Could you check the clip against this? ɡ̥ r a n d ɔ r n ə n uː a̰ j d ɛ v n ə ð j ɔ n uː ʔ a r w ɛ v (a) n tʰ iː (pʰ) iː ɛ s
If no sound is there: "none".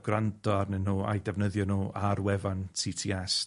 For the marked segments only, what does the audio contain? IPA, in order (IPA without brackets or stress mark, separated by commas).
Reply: a, tʰ